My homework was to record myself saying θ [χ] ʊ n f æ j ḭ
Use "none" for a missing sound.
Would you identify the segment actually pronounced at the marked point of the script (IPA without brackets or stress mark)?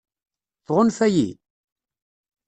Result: ʁ